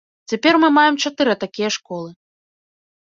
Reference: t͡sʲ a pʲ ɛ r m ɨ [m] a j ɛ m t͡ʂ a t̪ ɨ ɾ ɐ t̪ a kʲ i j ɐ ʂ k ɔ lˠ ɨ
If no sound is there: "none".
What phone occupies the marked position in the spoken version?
m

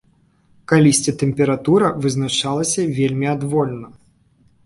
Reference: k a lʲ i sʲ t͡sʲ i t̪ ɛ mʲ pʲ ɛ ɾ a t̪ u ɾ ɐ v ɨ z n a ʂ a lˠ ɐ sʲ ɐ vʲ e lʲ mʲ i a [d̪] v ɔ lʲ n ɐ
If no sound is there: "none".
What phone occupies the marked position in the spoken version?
d̪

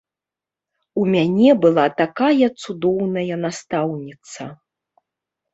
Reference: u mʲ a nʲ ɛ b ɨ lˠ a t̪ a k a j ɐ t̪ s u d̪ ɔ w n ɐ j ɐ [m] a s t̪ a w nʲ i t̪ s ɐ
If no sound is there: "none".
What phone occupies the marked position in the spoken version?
n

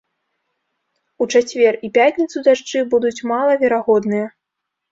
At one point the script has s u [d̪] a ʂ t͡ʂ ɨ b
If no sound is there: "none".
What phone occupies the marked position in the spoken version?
d̪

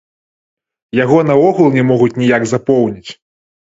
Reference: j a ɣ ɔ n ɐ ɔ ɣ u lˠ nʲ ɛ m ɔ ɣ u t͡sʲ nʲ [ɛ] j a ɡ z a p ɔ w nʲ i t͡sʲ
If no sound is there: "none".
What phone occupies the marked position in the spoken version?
i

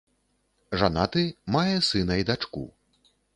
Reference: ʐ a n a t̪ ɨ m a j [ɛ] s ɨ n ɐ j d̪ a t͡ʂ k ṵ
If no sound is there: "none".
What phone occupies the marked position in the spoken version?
ɛ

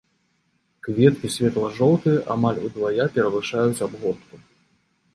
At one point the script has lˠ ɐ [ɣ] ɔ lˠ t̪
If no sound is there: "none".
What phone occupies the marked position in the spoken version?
ʐ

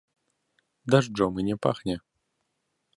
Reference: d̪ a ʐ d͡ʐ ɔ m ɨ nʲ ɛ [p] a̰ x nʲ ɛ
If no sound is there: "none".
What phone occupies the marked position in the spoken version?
p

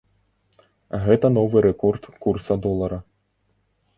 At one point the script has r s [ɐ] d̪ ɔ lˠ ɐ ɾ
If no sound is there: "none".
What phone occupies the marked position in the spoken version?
ɐ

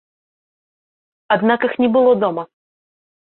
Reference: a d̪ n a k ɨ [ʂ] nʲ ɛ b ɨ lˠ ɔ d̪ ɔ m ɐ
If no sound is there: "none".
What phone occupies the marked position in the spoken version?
x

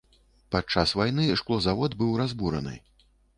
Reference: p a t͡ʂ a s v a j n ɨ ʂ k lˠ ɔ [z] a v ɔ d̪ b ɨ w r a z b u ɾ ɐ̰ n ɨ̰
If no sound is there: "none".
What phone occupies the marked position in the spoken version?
z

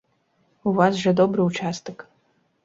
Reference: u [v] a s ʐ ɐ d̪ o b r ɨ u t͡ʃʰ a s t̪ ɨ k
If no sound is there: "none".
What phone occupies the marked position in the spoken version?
v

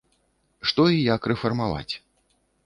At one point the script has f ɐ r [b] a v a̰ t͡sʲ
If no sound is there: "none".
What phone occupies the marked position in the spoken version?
m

